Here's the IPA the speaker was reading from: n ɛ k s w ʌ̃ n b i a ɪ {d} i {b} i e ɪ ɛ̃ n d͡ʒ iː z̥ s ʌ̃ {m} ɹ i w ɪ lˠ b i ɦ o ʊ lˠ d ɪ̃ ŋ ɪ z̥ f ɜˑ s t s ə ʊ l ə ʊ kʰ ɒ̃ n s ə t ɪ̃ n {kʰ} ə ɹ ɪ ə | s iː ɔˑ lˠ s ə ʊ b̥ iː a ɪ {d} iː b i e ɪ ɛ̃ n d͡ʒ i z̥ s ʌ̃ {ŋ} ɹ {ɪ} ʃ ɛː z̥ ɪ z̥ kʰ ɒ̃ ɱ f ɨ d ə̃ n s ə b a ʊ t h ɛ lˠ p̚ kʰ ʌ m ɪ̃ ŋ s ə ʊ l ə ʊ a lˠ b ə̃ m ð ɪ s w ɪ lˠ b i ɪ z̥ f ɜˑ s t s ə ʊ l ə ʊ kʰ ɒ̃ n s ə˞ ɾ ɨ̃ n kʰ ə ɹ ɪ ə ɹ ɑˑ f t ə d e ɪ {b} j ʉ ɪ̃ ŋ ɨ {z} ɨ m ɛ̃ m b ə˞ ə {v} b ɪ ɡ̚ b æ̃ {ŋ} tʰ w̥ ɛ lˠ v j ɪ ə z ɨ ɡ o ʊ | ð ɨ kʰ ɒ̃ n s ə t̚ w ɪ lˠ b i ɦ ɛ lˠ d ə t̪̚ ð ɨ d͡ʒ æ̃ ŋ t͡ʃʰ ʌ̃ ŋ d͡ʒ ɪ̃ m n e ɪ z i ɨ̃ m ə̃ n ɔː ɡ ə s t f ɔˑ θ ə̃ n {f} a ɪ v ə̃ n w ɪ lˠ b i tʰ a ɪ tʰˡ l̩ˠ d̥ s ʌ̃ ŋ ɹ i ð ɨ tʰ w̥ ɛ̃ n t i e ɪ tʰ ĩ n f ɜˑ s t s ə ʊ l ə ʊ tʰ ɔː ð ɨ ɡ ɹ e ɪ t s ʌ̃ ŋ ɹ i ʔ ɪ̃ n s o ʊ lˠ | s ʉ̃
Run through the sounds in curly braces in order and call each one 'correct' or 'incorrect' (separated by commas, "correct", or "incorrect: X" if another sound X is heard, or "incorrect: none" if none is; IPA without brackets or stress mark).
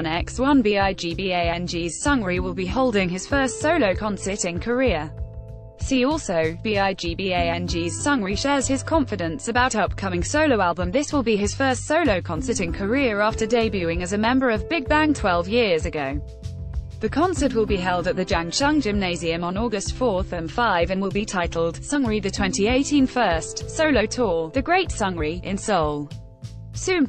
incorrect: d͡ʒ, correct, incorrect: ŋ, correct, incorrect: d͡ʒ, correct, incorrect: i, correct, correct, correct, correct, correct